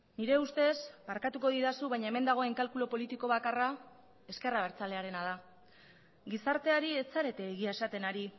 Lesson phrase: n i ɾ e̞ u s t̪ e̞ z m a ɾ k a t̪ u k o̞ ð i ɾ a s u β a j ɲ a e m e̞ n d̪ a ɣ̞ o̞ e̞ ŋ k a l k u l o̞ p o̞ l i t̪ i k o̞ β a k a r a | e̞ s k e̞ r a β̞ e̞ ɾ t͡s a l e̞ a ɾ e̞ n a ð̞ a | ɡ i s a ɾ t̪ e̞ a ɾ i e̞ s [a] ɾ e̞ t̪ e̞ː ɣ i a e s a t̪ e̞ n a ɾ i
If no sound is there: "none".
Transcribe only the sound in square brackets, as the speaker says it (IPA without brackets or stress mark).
a